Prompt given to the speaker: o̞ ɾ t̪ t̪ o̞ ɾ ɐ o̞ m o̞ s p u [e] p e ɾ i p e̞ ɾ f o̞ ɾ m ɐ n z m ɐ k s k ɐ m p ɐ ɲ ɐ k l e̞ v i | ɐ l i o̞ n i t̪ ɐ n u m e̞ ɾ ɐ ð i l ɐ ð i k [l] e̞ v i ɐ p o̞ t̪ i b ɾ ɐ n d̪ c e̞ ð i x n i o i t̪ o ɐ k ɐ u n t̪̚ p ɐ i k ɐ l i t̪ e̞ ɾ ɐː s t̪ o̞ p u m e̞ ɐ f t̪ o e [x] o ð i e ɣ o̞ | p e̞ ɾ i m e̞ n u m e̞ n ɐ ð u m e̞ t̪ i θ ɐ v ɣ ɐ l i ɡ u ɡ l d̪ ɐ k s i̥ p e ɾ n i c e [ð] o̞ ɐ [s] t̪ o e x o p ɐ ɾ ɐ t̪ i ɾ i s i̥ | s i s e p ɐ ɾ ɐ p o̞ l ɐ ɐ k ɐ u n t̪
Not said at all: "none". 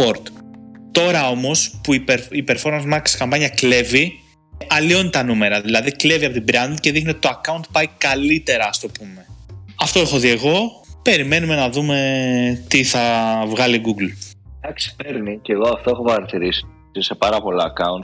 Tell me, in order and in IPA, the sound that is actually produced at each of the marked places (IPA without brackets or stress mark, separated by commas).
i, l, x, ɣ, f